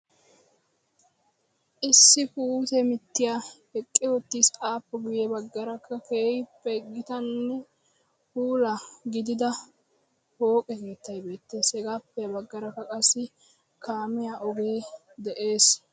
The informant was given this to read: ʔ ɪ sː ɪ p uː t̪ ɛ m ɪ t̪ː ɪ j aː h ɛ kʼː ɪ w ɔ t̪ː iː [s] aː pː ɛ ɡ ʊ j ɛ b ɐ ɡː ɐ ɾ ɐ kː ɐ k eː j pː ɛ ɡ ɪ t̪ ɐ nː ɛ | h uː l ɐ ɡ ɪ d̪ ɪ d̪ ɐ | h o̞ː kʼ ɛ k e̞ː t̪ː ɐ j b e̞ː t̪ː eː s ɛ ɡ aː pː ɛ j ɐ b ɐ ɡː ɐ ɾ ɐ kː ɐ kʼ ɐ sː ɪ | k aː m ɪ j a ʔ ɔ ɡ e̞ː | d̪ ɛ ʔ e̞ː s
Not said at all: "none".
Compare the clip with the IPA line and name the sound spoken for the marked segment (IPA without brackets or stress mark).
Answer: s